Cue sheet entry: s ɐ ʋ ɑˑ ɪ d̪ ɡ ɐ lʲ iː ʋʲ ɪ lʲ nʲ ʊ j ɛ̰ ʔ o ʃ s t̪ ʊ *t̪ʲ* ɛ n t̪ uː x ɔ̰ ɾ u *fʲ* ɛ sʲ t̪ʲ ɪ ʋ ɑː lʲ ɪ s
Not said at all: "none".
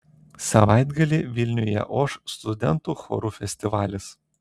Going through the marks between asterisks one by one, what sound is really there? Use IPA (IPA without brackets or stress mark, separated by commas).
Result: d̪ʲ, fʲ